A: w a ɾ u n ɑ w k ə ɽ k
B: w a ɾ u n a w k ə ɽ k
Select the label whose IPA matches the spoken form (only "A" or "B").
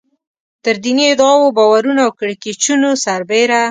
B